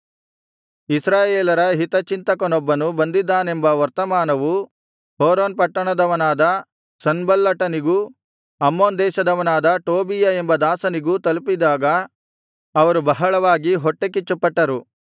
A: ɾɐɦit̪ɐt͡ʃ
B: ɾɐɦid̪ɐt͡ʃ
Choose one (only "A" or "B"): A